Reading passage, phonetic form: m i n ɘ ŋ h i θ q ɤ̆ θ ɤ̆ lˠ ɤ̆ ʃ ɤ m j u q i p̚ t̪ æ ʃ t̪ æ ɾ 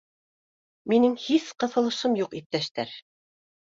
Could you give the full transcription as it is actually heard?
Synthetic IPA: m i n ɘ ŋ h i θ q ɤ̆ θ ɤ̆ lˠ ɤ̆ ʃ ɤ m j u q i p̚ t̪ æ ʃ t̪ æ ɾ